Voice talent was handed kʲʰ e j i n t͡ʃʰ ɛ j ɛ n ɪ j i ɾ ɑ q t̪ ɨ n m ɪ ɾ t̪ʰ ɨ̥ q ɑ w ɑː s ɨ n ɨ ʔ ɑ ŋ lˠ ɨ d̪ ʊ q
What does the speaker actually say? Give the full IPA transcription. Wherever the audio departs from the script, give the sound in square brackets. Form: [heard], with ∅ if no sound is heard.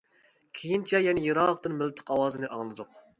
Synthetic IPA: kʲʰ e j i n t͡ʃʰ ɛ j ɛ n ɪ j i ɾ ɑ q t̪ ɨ n m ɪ [l] t̪ʰ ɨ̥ q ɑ w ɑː [z] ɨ n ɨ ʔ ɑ ŋ lˠ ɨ d̪ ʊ q

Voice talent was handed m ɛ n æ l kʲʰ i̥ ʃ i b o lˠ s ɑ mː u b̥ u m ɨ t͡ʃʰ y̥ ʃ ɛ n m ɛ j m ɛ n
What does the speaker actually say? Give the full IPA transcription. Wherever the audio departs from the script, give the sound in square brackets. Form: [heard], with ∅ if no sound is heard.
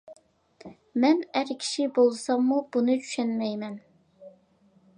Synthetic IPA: m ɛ n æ [ɾ] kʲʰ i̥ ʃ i b o lˠ s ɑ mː u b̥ u [n] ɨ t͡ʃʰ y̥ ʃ ɛ n m ɛ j m ɛ n

